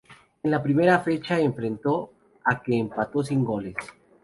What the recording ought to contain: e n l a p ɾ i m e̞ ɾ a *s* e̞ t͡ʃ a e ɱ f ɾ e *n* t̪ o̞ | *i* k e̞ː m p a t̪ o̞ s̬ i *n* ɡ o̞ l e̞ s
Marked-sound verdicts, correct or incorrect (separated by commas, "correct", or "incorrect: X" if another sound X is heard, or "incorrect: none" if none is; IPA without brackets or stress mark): incorrect: f, correct, incorrect: a, incorrect: ŋ